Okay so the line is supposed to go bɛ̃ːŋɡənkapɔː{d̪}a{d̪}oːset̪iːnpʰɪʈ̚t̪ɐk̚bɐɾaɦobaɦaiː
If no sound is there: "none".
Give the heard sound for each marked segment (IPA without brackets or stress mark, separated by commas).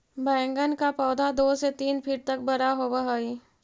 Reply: d̪, d̪